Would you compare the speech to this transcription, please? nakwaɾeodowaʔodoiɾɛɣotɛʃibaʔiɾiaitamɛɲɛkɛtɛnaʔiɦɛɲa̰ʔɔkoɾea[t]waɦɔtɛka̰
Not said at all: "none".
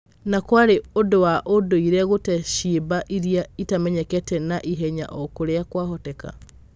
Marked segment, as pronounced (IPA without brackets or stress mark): k